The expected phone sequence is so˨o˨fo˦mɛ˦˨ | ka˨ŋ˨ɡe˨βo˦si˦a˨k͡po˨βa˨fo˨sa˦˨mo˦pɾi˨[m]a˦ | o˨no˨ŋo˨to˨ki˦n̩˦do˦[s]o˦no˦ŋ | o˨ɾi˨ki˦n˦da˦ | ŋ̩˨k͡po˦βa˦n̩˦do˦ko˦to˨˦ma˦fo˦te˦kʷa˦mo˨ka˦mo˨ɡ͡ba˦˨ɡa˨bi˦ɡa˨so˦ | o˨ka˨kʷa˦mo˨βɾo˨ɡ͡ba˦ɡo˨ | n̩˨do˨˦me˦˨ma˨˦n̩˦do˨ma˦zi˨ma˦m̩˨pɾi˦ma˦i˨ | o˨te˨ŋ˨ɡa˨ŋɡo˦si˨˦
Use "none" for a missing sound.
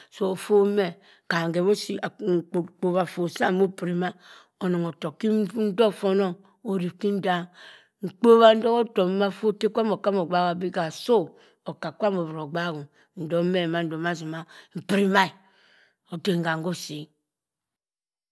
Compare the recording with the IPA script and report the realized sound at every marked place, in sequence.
m, f

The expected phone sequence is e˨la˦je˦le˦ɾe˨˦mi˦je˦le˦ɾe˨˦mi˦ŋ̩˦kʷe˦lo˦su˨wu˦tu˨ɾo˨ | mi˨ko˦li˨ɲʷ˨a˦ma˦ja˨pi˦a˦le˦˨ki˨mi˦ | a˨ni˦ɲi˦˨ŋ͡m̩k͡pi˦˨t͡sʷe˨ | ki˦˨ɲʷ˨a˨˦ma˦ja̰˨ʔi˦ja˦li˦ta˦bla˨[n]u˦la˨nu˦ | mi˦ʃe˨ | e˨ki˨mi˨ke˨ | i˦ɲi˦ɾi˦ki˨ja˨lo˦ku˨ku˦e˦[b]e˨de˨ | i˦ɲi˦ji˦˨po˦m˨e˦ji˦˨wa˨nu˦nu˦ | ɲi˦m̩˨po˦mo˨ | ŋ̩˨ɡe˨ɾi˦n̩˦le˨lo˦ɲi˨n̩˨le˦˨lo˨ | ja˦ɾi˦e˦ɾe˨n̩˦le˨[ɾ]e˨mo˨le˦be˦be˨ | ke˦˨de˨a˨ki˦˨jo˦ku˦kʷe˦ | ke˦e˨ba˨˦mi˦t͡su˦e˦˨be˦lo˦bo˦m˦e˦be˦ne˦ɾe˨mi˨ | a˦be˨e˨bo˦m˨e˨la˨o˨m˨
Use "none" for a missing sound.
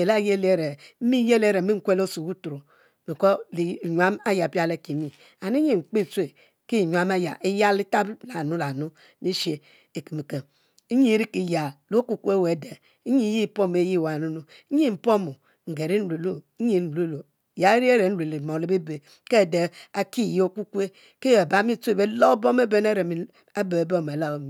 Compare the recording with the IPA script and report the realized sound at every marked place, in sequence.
n, w, l

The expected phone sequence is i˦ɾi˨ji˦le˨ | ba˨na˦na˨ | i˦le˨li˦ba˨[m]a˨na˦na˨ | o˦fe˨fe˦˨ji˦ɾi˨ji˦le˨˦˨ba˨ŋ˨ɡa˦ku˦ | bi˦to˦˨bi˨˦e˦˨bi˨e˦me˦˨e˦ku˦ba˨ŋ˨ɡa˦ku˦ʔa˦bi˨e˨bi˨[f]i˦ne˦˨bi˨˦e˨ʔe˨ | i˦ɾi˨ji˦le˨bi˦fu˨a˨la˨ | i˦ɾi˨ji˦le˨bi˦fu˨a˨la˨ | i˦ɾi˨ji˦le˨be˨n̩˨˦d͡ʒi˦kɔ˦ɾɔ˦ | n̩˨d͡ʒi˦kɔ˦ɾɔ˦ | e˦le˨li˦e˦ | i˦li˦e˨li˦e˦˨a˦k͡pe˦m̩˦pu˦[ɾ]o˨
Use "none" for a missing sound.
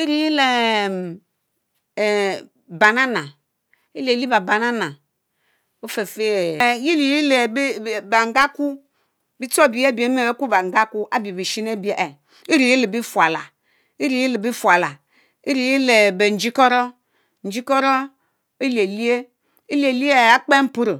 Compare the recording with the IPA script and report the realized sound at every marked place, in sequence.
b, ʃ, ɾ

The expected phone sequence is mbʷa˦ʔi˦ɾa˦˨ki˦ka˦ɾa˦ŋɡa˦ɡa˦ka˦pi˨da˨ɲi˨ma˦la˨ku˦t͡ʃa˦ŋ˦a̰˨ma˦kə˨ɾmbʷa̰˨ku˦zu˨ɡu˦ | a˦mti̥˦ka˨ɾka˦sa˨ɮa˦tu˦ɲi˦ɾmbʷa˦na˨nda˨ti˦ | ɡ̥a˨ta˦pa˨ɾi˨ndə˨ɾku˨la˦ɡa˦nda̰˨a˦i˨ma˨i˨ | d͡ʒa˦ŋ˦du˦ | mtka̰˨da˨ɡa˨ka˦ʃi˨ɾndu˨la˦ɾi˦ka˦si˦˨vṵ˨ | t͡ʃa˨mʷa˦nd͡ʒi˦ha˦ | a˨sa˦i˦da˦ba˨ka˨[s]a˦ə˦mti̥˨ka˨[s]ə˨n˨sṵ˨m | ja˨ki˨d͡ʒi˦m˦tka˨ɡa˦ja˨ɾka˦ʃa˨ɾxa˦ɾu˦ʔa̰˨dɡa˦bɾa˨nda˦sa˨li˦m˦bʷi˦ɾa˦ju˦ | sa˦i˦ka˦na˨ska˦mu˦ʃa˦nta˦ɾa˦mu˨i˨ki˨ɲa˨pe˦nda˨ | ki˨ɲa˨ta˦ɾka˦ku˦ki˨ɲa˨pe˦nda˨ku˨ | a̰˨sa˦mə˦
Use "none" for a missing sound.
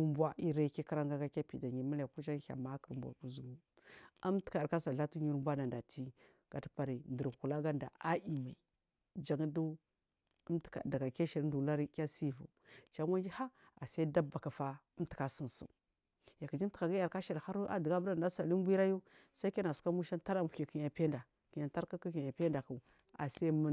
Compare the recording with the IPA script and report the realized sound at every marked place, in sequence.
f, s

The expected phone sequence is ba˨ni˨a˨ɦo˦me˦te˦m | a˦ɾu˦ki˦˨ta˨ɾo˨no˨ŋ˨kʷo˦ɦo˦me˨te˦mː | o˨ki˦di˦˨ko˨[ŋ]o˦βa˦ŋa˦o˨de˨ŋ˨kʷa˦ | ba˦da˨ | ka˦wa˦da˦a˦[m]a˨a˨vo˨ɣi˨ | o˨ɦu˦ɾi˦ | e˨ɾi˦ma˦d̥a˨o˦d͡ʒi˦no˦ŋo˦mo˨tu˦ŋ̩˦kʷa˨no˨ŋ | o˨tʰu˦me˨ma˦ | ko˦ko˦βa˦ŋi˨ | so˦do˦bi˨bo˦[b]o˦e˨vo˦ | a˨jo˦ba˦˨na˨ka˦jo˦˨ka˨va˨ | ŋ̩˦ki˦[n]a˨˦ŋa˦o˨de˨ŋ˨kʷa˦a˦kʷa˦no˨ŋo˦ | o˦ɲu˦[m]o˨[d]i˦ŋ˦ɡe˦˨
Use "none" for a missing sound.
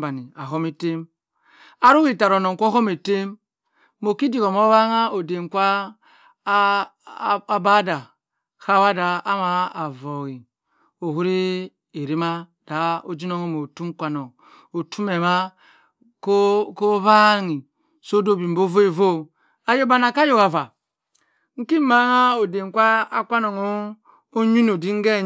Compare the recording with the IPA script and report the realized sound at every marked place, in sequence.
m, m, v, m, n, d

